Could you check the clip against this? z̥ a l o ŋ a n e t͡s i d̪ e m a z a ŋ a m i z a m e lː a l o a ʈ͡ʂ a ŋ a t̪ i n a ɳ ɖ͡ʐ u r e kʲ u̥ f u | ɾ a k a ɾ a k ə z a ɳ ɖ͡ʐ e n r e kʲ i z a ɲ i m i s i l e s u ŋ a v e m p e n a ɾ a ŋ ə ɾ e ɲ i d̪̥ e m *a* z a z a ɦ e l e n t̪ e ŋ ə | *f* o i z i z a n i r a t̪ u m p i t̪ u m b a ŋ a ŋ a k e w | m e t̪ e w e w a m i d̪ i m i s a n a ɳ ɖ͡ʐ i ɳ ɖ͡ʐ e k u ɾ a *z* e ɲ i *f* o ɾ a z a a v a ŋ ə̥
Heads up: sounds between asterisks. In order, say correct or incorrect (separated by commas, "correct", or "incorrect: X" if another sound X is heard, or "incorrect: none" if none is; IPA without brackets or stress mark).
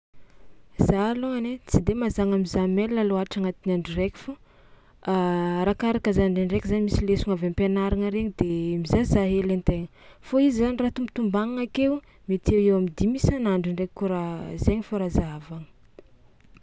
incorrect: i, correct, correct, correct